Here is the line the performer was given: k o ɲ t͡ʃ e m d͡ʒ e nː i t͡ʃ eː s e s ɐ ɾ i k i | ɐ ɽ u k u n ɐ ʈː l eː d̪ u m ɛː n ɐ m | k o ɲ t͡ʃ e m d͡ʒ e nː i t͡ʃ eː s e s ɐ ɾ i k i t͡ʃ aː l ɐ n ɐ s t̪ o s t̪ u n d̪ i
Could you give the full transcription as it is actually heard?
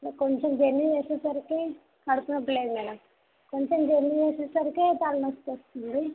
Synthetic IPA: k o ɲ t͡ʃ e m d͡ʒ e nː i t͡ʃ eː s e s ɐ ɾ i k i | ɐ ɽ u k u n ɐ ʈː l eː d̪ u m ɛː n ɐ m | k o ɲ t͡ʃ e m d͡ʒ e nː i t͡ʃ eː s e s ɐ ɾ i k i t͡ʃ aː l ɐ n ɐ s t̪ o s t̪ u n d̪ i